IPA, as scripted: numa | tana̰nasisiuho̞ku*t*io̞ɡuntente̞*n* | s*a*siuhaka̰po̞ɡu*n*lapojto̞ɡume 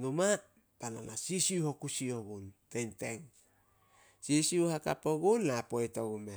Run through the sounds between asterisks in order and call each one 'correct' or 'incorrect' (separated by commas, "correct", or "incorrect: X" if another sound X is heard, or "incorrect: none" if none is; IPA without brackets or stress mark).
incorrect: s, incorrect: ŋ, incorrect: i, correct